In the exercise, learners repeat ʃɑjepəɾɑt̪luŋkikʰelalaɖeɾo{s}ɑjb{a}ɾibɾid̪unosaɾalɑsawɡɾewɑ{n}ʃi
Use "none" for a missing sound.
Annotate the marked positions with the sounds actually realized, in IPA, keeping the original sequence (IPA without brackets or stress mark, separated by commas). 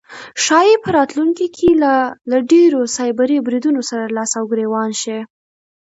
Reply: s, a, n